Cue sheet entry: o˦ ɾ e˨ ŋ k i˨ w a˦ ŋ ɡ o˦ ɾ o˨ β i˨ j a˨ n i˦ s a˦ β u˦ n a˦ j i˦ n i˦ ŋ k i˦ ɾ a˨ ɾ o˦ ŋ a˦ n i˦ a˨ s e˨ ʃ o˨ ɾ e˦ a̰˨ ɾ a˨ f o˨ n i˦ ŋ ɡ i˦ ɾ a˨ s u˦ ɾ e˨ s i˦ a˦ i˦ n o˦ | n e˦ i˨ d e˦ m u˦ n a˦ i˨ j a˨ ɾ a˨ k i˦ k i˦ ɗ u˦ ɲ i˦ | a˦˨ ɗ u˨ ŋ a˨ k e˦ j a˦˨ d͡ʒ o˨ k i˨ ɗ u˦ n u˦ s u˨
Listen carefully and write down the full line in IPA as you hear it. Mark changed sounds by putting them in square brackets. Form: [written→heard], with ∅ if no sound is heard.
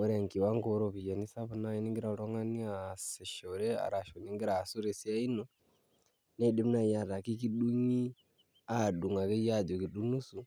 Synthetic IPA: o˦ ɾ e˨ ŋ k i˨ w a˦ ŋ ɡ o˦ ɾ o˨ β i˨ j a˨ n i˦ s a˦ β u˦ n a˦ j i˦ n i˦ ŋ [k→ɡ] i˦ ɾ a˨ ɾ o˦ ŋ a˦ n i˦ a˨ s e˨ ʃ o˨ ɾ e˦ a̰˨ ɾ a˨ [f→ʃ] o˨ n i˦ ŋ ɡ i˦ ɾ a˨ s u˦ ɾ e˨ s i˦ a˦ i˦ n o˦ | n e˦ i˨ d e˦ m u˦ n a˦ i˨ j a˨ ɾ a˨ k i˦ k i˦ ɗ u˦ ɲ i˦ | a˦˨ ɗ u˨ ŋ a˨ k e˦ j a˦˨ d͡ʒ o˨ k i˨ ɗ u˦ n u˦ s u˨